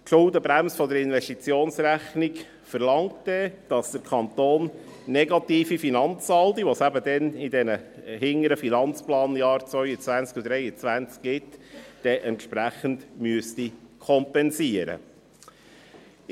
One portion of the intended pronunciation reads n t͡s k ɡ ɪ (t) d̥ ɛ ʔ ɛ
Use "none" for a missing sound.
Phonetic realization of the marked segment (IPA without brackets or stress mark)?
t